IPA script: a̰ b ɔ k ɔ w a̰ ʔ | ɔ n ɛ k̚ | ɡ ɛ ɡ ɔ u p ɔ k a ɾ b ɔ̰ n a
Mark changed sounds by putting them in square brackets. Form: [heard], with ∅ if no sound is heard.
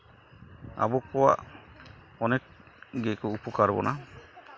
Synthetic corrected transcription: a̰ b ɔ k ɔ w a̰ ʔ | ɔ n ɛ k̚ | ɡ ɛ [k] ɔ u p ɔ k a ɾ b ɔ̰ n a